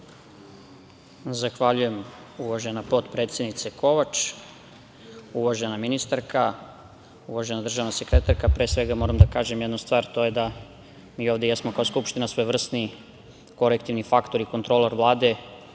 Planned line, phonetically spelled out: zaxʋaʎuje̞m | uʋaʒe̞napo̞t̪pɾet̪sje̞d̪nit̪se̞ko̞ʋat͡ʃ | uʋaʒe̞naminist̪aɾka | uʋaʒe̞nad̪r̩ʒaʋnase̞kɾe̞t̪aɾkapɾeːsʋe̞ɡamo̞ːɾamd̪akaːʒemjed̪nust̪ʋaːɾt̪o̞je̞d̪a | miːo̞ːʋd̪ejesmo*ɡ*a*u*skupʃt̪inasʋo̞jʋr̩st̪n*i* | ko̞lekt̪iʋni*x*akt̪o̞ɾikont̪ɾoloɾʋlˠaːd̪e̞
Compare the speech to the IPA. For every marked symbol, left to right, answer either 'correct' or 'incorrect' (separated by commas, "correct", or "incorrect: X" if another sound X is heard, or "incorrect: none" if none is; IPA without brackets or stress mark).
incorrect: k, incorrect: o, correct, incorrect: f